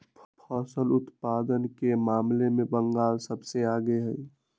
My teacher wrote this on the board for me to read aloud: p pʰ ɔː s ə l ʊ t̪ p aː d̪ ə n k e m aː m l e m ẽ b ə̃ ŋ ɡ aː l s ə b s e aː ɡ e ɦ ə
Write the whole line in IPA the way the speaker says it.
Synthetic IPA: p pʰ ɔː s ə l ʊ t̪ p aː d̪ ə n k e m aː m l e m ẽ b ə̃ ŋ ɡ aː l s ə b s e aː ɡ e ɦ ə